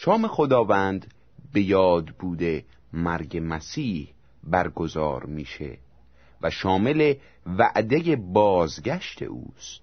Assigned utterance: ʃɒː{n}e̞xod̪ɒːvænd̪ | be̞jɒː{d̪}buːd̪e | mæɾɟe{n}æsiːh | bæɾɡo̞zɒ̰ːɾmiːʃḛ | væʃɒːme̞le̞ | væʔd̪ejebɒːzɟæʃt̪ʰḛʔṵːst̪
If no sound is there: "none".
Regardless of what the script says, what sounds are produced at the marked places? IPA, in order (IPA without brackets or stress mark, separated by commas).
m, d̪, m